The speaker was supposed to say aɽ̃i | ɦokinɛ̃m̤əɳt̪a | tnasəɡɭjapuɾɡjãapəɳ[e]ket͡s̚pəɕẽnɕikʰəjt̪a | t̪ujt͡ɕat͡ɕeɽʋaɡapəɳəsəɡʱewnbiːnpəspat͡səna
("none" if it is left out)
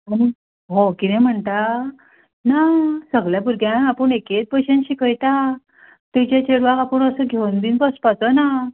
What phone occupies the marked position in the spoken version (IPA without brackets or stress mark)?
e